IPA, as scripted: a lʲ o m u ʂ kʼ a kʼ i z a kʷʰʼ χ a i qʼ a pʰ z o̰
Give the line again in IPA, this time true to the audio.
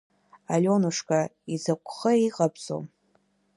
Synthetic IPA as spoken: a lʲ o n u ʂ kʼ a i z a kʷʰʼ χ ə i qʼ a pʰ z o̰